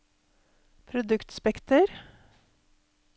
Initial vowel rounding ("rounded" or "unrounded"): rounded